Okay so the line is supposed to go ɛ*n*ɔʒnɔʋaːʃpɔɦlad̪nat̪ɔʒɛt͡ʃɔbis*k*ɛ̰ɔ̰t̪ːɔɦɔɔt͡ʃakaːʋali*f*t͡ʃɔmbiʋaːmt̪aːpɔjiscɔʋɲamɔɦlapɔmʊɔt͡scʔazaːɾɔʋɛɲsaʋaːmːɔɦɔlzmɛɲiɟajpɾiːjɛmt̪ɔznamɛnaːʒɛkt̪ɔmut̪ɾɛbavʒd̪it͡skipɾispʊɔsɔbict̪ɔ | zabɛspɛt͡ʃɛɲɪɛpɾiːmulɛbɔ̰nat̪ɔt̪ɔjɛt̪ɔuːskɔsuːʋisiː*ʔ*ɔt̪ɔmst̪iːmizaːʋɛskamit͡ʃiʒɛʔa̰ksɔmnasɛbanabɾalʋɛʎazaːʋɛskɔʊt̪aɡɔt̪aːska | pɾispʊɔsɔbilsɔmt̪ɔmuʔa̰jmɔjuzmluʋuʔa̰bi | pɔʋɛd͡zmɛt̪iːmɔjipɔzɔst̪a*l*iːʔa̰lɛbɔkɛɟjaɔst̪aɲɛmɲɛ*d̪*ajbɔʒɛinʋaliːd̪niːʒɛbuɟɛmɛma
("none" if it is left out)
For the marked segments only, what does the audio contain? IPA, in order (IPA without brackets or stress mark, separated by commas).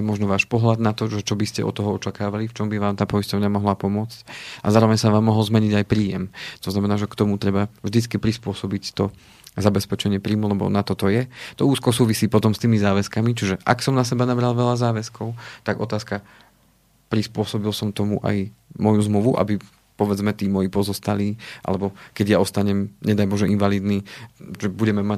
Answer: m, c, f, p, l, d̪